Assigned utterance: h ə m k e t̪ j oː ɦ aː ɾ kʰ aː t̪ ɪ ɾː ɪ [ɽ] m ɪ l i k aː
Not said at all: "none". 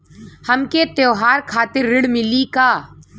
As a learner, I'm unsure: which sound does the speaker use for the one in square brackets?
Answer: ɽ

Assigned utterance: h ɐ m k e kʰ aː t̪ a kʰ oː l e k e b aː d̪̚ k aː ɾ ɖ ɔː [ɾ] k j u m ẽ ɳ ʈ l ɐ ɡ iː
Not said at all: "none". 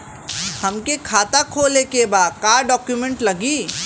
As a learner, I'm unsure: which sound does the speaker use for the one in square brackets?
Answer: none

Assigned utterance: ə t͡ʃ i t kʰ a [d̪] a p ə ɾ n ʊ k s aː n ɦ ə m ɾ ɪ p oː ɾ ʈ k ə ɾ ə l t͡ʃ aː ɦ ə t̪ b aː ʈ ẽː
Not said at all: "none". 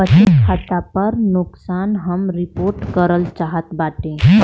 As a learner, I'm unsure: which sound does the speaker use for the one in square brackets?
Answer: t̪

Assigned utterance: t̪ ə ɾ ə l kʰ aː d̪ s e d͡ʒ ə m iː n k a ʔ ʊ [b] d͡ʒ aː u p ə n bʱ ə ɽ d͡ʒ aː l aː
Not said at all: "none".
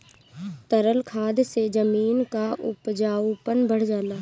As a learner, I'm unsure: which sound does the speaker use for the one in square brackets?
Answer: p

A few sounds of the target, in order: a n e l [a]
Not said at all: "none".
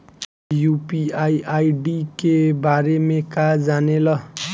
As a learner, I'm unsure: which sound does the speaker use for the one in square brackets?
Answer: ʌ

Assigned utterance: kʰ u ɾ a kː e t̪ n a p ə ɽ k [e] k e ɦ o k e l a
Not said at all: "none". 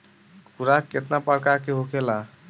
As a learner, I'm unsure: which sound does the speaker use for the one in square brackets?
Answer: a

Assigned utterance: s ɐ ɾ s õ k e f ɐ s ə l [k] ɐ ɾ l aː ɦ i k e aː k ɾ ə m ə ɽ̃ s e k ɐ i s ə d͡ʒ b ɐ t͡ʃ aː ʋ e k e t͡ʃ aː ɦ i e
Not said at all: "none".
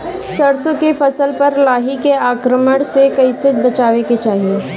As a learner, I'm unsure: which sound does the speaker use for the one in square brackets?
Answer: p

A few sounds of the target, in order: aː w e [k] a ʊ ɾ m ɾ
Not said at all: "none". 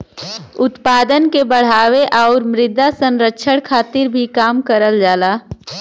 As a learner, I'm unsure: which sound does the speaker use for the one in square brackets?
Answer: ʔ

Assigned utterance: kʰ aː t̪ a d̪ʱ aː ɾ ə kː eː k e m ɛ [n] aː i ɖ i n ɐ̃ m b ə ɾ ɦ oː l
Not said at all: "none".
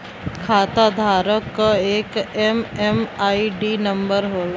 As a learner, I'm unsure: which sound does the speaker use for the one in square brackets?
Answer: m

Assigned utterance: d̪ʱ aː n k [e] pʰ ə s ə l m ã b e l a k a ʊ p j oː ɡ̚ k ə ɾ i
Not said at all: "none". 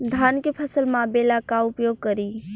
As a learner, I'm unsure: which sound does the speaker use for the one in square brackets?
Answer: e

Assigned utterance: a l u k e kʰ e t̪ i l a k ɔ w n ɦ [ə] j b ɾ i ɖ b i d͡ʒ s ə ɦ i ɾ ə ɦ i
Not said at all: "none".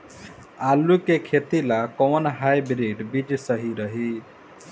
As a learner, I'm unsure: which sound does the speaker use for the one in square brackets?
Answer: a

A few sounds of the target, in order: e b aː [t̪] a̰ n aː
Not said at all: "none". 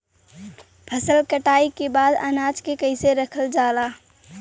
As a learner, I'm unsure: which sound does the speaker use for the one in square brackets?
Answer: d̪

